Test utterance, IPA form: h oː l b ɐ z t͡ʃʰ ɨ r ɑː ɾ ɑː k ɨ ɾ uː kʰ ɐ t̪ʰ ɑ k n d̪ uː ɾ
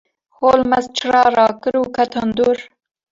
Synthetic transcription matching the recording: h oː l m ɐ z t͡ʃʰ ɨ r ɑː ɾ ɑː k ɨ ɾ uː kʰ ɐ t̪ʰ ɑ n d̪ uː ɾ